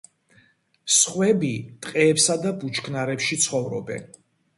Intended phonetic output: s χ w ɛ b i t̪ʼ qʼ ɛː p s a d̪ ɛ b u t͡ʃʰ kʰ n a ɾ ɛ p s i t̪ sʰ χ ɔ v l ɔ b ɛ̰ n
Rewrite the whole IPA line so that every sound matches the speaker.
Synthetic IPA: s χ w ɛ b i t̪ʼ qʼ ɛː p s a d̪ a b u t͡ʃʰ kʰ n a ɾ ɛ p ʃ i t̪ sʰ χ ɔ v ɾ ɔ b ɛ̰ n